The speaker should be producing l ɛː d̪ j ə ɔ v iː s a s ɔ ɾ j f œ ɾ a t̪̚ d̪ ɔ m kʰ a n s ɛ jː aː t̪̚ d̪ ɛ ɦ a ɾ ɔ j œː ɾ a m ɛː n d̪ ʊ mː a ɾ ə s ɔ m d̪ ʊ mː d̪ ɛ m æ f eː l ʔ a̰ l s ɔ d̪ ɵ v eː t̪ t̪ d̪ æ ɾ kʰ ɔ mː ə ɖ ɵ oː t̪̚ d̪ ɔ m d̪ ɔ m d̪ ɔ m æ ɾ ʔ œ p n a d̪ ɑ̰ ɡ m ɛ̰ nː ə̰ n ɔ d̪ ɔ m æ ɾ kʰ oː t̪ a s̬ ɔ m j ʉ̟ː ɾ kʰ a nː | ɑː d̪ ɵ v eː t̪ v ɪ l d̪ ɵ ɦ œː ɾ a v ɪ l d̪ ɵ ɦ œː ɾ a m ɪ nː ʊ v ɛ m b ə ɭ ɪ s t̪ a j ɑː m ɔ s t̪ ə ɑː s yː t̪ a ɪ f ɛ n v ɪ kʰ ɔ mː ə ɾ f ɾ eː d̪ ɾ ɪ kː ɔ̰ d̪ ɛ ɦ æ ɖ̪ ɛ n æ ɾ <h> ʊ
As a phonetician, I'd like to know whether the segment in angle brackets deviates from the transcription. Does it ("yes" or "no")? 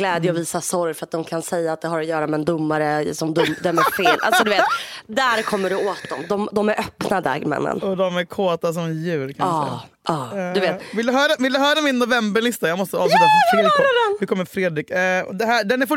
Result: yes